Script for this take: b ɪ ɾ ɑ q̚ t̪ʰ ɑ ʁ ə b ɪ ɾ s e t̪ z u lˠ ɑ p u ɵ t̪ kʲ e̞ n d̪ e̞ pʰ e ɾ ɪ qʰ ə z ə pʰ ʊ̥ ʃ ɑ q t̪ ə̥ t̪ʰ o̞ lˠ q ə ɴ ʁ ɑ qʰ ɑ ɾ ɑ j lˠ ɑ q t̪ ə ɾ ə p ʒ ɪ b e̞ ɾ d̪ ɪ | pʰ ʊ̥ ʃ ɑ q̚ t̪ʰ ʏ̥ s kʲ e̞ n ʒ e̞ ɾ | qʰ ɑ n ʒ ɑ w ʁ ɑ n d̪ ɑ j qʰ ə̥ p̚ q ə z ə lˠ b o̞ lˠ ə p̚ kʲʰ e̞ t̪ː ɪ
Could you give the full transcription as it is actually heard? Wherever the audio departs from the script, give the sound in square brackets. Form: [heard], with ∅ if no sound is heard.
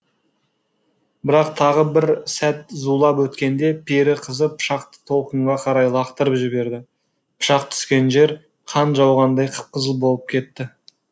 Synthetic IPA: b ɪ ɾ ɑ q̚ t̪ʰ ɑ ʁ ə b ɪ ɾ s [æ] t̪ z u lˠ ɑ p [w] ɵ t̪ kʲ e̞ n d̪ e̞ pʰ e ɾ ɪ qʰ ə z ə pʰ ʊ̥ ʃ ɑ q t̪ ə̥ t̪ʰ o̞ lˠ q ə ɴ ʁ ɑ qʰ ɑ ɾ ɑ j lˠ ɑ q t̪ ə ɾ ə p ʒ ɪ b e̞ ɾ d̪ ɪ | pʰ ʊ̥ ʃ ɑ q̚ t̪ʰ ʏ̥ s kʲ e̞ n ʒ e̞ ɾ | qʰ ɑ n ʒ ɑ w ʁ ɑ n d̪ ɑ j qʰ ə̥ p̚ q ə z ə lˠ b o̞ lˠ ə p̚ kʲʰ e̞ t̪ː ɪ